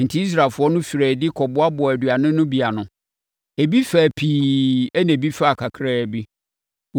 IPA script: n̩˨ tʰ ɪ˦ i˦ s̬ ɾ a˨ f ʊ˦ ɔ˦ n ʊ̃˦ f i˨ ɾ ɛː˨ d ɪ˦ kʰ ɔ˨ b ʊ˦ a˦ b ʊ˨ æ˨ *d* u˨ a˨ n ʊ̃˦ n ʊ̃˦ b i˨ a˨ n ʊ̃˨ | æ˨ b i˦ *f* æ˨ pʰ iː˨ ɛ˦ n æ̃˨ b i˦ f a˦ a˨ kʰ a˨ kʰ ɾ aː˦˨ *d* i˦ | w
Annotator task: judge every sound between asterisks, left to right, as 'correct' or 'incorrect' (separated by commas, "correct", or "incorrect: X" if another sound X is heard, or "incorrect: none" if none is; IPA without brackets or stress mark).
correct, correct, incorrect: b